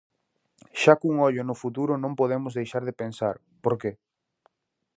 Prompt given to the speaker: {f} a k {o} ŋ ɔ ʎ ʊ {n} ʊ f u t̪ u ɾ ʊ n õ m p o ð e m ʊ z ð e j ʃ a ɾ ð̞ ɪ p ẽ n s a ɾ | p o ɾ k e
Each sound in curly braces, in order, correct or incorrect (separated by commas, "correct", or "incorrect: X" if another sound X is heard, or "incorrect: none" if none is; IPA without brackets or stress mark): incorrect: ʃ, incorrect: u, correct